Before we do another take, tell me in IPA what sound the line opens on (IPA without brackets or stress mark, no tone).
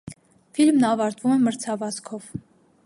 f